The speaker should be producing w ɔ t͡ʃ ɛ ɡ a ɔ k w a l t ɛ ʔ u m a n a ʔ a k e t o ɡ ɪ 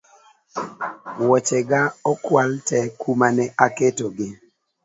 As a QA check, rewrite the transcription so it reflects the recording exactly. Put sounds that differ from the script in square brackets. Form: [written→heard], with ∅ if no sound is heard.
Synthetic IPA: w ɔ t͡ʃ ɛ ɡ a ɔ k w a l t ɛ [ʔ→k] u m a n [a→ɛ] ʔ a k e t o ɡ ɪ